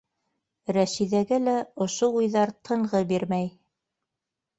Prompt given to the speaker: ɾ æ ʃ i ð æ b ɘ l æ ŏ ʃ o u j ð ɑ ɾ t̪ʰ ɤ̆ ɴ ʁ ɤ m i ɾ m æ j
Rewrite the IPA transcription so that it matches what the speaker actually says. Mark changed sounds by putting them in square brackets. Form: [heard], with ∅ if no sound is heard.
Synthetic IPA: ɾ æ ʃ i ð æ [ɡ] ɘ l æ ŏ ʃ o u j ð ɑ ɾ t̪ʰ ɤ̆ ɴ ʁ ɤ [b] i ɾ m æ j